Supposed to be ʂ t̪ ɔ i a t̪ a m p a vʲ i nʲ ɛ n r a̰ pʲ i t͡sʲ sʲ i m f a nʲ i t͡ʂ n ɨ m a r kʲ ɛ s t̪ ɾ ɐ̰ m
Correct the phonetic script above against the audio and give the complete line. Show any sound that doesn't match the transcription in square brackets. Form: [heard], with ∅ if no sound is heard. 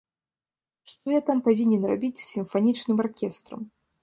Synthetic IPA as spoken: ʂ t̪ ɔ [j] a t̪ a m p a vʲ i nʲ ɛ n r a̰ [bʲ] i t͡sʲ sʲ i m f a nʲ i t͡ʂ n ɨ m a r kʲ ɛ s t̪ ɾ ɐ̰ m